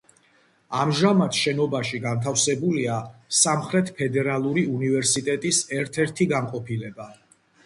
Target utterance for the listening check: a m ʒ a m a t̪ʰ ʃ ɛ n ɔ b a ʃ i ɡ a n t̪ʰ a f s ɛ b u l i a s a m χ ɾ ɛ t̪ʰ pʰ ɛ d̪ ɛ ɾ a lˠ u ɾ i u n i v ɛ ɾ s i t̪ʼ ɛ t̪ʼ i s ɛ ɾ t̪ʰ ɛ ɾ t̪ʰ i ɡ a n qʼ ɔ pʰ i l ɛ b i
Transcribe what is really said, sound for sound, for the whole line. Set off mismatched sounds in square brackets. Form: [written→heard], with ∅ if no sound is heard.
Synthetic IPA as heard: a m ʒ a m a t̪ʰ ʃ ɛ n ɔ b a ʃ i ɡ a n t̪ʰ a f s ɛ b u l i a s a m χ ɾ ɛ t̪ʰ pʰ ɛ d̪ ɛ ɾ a lˠ u ɾ i u n i v ɛ ɾ s i t̪ʼ ɛ t̪ʼ i s ɛ ɾ t̪ʰ ɛ ɾ t̪ʰ i ɡ a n qʼ ɔ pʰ i l ɛ b [i→a]